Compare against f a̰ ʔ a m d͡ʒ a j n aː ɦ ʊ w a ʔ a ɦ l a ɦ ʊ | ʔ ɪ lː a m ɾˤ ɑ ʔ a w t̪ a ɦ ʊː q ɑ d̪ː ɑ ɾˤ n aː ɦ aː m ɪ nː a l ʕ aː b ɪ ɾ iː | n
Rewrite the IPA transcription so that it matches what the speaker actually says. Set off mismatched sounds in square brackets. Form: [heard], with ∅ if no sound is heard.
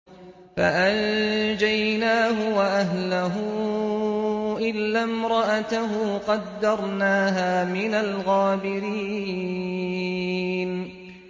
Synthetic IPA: f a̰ ʔ a [n] d͡ʒ a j n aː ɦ ʊ w a ʔ a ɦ l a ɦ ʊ | ʔ ɪ lː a m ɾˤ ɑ ʔ a [∅] t̪ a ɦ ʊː q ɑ d̪ː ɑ ɾˤ n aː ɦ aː m ɪ [n] a l [ɣ] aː b ɪ ɾ iː | n